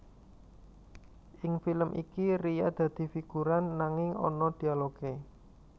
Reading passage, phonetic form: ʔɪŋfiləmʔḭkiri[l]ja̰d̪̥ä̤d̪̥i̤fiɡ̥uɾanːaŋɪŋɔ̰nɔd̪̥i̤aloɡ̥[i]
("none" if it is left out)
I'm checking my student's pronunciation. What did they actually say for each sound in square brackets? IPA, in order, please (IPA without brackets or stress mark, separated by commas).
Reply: none, e